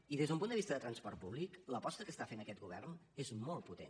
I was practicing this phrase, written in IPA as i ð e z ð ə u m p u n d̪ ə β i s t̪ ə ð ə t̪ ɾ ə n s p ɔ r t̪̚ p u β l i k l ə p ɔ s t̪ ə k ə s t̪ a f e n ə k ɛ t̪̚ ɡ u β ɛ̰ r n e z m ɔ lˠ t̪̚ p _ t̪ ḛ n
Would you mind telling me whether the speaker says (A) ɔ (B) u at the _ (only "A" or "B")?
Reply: B